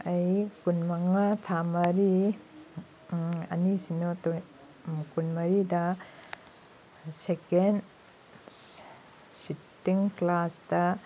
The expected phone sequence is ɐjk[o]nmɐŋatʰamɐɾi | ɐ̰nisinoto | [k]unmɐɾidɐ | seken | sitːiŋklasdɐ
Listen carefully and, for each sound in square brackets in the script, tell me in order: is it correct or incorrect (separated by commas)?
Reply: incorrect, correct